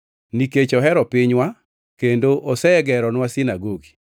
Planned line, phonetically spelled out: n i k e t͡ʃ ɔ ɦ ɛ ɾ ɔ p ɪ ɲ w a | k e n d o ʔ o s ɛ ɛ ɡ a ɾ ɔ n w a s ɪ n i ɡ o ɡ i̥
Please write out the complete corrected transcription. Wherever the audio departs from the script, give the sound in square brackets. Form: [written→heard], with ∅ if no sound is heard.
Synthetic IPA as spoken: n i k e t͡ʃ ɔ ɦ ɛ ɾ ɔ p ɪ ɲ w a | k e n d o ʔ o s ɛ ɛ ɡ [a→ɛ] ɾ ɔ n w a s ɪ n [i→a] ɡ o ɡ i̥